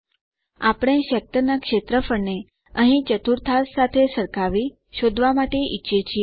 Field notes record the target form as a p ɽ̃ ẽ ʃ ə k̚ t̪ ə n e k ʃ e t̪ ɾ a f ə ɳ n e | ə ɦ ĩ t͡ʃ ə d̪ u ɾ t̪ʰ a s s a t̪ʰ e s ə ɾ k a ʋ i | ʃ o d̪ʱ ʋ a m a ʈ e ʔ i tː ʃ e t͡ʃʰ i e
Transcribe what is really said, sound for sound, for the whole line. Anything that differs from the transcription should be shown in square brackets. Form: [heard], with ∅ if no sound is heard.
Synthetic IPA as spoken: a p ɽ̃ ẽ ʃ ə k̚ t̪ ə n [a] k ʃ e t̪ ɾ [ə] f ə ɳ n e | ə ɦ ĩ t͡ʃ ə [t̪] u ɾ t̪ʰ a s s a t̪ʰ e s ə ɾ k a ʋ i | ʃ o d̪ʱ ʋ a m a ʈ e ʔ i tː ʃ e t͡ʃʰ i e